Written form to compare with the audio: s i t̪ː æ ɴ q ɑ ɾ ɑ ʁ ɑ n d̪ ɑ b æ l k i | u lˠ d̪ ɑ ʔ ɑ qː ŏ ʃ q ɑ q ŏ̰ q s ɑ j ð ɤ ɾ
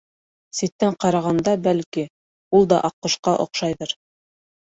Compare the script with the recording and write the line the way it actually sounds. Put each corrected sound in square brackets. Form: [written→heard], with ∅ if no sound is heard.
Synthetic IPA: s i t̪ː æ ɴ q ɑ ɾ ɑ ʁ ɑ n d̪ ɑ b æ l k i | u lˠ d̪ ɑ ʔ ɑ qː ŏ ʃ q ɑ [q→ʔ] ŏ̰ q [s→ʃ] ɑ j ð ɤ ɾ

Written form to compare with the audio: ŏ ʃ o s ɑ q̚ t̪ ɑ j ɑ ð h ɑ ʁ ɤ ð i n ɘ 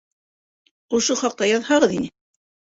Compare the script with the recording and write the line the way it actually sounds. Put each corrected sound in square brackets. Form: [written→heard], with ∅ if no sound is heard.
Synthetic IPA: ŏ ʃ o [s→χ] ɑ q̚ t̪ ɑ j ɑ ð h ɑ ʁ ɤ ð i n ɘ

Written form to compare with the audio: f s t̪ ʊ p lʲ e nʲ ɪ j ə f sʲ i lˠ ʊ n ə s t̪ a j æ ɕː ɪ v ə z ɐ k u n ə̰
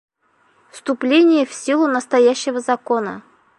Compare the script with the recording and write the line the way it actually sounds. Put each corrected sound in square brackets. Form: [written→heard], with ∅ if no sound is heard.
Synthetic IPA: f s t̪ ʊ p lʲ e nʲ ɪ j ə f sʲ i lˠ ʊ n ə s t̪ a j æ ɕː ɪ v ə z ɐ k [u→o] n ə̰

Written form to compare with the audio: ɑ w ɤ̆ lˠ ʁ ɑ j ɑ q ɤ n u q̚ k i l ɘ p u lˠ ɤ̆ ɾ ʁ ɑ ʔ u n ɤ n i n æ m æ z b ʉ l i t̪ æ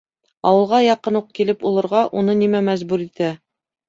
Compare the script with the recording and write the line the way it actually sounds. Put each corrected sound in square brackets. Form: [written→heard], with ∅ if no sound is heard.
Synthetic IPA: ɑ w ɤ̆ lˠ ʁ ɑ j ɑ q ɤ n u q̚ k i l ɘ p u lˠ ɤ̆ ɾ ʁ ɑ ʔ u n ɤ n i [n→m] æ m æ z b ʉ [l→ɾ] i t̪ æ

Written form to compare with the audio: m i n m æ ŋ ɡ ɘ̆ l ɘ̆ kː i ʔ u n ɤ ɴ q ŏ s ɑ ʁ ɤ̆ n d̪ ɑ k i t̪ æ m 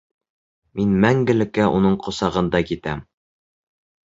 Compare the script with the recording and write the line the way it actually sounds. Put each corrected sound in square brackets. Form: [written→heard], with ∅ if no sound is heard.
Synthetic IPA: m i n m æ ŋ ɡ ɘ̆ l ɘ̆ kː [i→æ] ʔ u n ɤ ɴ q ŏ s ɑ ʁ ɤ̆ n d̪ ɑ k i t̪ æ m

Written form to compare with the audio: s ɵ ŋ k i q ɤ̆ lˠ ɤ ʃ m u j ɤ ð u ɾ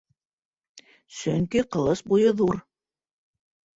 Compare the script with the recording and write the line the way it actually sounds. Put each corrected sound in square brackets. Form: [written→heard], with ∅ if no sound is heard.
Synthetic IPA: s ɵ ŋ k i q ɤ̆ lˠ ɤ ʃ [m→b] u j ɤ ð u ɾ

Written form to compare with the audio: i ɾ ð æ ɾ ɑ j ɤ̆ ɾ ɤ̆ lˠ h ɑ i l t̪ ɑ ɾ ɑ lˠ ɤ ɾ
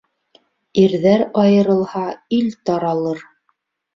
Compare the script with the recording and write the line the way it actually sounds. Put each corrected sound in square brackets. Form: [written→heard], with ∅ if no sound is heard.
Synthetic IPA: i ɾ ð æ ɾ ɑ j ɤ̆ ɾ ɤ̆ lˠ h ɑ i l t̪ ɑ ɾ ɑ lˠ ɤ ɾ

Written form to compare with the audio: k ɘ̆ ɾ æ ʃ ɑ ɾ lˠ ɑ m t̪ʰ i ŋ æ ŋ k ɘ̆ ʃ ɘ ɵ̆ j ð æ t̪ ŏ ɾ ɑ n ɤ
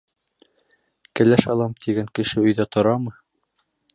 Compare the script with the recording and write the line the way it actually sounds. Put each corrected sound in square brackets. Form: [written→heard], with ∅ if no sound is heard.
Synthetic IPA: k ɘ̆ [ɾ→l] æ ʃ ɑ [ɾ→∅] lˠ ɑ m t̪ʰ i [ŋ→ɡ] æ ŋ k ɘ̆ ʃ ɘ ɵ̆ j ð æ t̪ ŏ ɾ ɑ [n→m] ɤ

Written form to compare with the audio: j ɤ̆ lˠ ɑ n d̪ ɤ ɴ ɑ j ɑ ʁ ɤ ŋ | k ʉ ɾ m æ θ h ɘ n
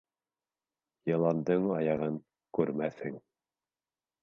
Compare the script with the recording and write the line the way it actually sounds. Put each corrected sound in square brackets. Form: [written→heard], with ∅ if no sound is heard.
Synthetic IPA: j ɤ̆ lˠ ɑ n d̪ ɤ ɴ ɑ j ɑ ʁ ɤ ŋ | k ʉ ɾ m æ θ h ɘ [n→ŋ]

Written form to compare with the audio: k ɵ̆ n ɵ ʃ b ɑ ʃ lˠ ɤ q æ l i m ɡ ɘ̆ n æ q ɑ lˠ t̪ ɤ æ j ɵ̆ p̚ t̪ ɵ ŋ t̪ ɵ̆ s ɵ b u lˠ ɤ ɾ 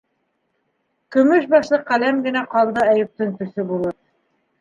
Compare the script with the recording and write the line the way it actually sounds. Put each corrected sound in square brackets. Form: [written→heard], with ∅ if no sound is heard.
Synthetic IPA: k ɵ̆ [n→m] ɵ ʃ b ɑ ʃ lˠ ɤ q æ l [i→æ] m ɡ ɘ̆ n æ q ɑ lˠ [t̪→d̪] ɤ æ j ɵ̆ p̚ t̪ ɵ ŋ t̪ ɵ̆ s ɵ b u lˠ ɤ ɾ

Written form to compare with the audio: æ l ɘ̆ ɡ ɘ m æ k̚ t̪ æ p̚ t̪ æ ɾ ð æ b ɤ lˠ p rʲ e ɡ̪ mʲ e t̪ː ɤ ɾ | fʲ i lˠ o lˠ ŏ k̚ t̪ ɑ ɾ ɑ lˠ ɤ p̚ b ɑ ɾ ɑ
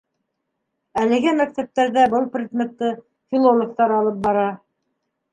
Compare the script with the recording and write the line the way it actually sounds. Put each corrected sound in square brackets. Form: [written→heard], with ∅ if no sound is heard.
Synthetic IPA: æ l ɘ̆ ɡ ɘ m æ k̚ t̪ æ p̚ t̪ æ ɾ ð æ b ɤ lˠ p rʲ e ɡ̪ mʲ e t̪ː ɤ [ɾ→∅] | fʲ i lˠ o lˠ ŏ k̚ t̪ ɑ ɾ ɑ lˠ ɤ p̚ b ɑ ɾ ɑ

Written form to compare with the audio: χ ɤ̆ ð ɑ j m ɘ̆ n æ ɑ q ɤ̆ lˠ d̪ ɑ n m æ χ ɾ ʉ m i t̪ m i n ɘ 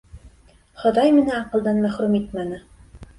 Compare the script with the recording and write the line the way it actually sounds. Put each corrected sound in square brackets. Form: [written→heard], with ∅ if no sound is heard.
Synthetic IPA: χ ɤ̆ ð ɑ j m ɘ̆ n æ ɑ q ɤ̆ lˠ d̪ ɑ n m æ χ ɾ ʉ m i t̪ m [i→æ] n ɘ

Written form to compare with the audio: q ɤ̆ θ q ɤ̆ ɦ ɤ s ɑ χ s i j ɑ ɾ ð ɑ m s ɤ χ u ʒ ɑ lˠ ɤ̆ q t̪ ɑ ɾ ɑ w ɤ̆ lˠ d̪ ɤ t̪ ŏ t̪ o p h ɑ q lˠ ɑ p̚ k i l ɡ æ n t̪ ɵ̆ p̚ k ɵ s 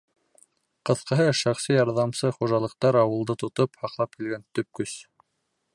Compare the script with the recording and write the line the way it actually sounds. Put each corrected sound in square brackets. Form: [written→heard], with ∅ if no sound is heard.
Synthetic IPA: q ɤ̆ θ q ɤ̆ ɦ ɤ [s→ʃ] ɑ χ s i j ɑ ɾ ð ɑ m s ɤ χ u ʒ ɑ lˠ ɤ̆ q t̪ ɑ ɾ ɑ w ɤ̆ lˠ d̪ ɤ t̪ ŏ t̪ o p h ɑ q lˠ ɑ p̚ k i l ɡ æ n t̪ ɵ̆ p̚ k ɵ s

